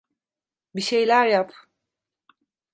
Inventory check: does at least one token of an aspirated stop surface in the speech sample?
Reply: no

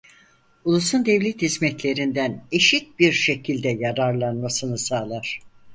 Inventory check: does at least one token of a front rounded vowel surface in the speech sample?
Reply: no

